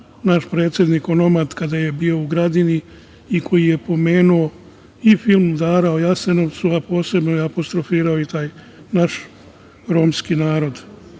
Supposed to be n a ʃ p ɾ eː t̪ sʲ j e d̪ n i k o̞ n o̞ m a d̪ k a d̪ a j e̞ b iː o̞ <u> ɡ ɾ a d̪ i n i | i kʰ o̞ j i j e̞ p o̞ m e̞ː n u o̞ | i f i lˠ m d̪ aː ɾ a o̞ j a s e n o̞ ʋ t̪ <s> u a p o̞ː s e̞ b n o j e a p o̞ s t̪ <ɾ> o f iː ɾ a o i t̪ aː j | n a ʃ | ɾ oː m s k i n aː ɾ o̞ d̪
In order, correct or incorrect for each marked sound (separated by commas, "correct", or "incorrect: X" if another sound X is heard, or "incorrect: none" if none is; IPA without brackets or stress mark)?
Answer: correct, correct, correct